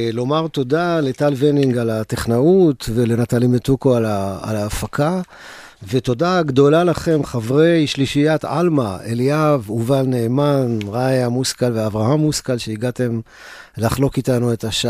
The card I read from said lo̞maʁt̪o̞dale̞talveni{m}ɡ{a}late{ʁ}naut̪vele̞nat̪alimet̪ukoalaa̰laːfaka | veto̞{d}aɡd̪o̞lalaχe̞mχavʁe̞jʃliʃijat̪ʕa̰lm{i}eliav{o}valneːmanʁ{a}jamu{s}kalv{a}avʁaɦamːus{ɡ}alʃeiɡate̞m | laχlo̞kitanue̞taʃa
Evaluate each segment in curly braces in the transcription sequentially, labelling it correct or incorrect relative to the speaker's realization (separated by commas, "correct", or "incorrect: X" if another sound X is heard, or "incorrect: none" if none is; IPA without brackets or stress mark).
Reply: incorrect: ŋ, correct, incorrect: χ, correct, incorrect: a, incorrect: u, correct, correct, incorrect: e, incorrect: k